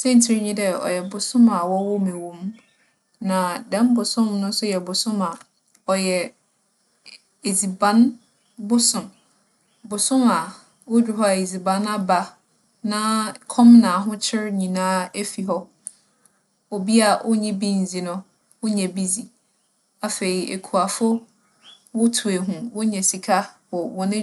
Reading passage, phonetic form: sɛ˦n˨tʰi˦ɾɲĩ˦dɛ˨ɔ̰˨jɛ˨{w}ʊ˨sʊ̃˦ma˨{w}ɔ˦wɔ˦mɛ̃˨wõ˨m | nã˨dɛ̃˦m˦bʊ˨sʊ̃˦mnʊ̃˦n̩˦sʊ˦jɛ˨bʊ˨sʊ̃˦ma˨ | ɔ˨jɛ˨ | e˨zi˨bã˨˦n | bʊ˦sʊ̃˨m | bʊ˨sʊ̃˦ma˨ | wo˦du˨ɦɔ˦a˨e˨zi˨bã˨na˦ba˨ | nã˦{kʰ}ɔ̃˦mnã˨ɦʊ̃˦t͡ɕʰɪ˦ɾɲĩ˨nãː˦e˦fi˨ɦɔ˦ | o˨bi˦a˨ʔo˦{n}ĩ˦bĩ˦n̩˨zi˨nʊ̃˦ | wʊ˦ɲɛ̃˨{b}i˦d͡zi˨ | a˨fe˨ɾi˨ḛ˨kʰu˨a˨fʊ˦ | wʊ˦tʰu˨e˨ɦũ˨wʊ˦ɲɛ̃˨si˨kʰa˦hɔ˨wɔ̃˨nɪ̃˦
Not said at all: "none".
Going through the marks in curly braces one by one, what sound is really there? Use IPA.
b, w, kʰ, ɲ, b

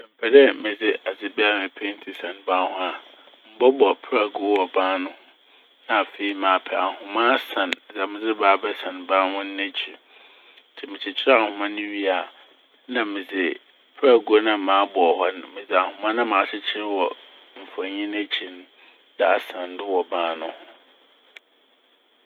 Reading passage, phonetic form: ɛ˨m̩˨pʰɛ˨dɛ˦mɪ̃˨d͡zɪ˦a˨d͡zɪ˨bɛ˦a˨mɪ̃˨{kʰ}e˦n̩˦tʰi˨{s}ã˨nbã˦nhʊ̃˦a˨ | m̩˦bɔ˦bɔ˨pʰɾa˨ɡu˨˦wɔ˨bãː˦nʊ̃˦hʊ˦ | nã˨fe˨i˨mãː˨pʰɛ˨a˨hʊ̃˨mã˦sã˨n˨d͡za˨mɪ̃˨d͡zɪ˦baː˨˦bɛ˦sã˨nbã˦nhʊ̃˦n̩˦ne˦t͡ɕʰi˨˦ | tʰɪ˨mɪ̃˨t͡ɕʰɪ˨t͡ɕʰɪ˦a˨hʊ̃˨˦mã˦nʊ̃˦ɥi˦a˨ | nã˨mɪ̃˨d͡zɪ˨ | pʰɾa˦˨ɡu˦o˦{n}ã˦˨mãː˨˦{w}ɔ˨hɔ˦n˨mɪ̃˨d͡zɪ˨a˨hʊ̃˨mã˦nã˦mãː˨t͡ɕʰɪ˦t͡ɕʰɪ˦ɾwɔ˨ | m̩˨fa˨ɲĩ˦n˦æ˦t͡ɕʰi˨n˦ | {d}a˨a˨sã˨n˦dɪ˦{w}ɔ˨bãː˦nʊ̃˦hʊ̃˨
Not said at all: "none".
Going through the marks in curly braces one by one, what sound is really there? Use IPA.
pʰ, s, n, b, d, w

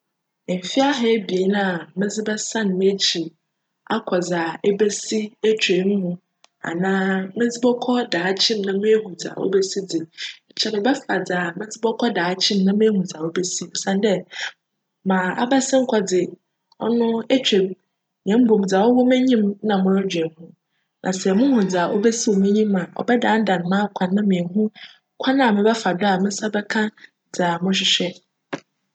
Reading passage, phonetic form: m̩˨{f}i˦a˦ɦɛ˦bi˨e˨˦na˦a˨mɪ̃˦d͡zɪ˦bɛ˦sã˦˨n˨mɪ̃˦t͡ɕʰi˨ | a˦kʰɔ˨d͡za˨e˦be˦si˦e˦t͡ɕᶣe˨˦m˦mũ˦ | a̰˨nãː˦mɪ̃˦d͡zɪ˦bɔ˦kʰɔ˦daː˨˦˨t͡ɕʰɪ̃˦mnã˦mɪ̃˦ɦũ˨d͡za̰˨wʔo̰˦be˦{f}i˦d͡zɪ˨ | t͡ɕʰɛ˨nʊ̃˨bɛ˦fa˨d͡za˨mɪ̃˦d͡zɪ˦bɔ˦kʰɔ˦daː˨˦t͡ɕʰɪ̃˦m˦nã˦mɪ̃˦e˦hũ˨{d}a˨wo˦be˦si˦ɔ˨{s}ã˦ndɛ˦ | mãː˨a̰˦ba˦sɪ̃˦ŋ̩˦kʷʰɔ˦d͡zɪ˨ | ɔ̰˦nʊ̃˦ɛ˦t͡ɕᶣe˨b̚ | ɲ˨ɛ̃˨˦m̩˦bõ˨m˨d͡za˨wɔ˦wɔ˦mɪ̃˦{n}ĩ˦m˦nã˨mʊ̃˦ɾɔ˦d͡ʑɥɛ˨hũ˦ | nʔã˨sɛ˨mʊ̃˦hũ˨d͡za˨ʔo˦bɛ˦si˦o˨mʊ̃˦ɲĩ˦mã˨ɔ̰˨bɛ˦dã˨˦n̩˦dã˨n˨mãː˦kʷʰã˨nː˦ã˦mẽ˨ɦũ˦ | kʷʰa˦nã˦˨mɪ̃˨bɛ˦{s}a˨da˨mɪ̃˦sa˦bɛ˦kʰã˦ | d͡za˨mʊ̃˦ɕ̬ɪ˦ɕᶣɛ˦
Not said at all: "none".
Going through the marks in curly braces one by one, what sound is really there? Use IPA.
f, s, d͡z, s, ɲ, f

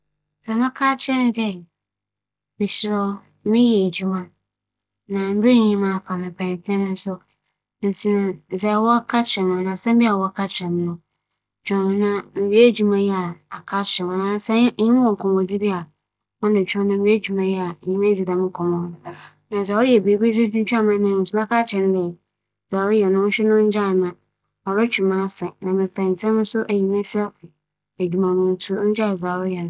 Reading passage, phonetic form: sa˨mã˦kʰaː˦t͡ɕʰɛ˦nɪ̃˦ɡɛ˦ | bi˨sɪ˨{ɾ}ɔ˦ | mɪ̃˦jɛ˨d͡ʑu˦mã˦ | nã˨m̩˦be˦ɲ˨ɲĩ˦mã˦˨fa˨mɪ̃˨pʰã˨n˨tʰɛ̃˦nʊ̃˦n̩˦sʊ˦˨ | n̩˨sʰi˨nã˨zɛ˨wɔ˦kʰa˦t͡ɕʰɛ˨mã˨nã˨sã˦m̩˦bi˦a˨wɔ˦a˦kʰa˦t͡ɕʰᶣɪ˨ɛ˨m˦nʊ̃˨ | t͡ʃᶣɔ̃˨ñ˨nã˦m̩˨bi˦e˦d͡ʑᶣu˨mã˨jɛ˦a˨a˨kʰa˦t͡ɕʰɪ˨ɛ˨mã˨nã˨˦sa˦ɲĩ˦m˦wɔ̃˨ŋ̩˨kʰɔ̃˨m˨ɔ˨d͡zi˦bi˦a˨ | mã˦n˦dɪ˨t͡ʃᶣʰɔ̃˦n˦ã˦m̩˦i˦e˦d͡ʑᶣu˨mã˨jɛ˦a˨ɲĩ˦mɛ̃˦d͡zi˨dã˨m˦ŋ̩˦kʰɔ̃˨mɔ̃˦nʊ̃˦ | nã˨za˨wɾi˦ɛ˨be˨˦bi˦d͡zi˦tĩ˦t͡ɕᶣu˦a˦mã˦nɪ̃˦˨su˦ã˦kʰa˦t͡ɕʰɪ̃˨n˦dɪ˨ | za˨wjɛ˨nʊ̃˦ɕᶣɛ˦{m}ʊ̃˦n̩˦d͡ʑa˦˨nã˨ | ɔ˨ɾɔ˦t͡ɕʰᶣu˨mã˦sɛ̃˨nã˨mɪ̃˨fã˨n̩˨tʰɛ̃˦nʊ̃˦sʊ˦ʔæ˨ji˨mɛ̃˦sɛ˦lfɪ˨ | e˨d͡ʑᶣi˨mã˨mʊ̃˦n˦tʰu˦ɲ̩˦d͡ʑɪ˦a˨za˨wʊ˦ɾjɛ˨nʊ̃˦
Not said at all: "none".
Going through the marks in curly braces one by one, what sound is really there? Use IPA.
ɾ, n

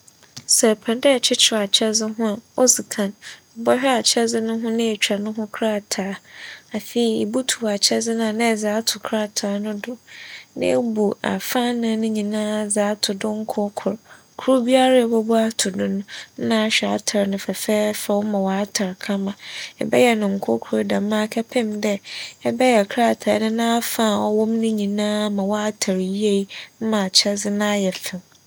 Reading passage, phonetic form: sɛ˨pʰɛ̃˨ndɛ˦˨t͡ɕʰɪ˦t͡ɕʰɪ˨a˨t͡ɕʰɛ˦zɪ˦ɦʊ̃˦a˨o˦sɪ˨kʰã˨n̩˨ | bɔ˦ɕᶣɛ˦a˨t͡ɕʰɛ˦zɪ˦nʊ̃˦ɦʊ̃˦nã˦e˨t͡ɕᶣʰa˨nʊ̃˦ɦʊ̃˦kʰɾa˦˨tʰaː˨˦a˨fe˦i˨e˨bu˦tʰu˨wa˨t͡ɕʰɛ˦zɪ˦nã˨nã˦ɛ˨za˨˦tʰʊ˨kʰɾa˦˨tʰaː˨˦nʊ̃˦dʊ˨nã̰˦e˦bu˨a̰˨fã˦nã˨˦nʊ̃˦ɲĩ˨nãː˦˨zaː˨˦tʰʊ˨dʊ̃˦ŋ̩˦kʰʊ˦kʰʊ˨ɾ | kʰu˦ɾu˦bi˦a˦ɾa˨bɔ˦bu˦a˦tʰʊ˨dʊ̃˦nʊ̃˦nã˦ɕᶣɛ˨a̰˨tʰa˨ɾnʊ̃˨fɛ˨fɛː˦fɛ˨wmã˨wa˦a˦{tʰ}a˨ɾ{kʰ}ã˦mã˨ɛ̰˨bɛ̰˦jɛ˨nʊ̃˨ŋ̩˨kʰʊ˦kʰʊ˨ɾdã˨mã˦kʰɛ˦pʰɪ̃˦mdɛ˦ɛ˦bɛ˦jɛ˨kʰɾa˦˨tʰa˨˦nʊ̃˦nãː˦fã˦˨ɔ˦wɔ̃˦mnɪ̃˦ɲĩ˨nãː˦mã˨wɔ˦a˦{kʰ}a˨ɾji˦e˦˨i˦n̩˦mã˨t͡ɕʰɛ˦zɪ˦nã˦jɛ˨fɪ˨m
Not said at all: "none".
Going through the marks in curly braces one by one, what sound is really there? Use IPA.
tʰ, kʰ, tʰ

